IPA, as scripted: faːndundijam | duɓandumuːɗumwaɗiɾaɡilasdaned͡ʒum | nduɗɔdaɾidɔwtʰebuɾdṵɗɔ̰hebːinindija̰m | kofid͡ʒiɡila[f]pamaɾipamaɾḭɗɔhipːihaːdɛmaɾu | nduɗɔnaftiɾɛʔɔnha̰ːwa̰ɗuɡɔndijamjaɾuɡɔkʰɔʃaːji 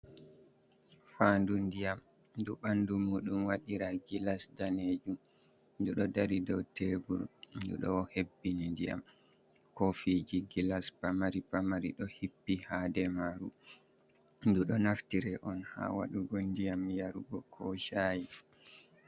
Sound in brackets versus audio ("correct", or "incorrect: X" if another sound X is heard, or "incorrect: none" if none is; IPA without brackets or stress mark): incorrect: s